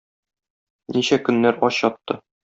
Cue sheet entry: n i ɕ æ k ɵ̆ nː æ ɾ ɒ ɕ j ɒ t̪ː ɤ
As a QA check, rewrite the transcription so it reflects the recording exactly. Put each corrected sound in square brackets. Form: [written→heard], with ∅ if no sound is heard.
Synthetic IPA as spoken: n i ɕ æ k ɵ̆ nː æ ɾ ɒ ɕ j ɒ t̪ː ɤ